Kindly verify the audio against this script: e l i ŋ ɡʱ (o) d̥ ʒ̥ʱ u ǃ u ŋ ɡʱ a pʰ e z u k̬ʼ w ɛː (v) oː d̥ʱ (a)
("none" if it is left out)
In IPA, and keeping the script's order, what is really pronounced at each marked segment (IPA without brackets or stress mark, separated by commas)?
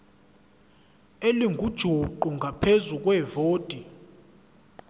u, v, i